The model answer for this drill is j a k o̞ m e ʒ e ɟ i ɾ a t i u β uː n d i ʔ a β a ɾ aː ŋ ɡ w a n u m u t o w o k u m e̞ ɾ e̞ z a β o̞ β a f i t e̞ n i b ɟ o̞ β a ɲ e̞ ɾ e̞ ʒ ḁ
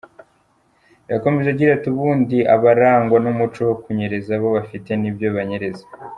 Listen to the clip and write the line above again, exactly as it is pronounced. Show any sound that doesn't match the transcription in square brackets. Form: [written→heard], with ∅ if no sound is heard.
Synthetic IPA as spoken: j a k o̞ m e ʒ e ɟ i ɾ a t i u β uː n d i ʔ a β a ɾ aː ŋ ɡ w a n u m u [t→t͡ʃ] o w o k u [m→ɲ] e̞ ɾ e̞ z a β o̞ β a f i t e̞ n i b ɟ o̞ β a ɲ e̞ ɾ e̞ [ʒ→z] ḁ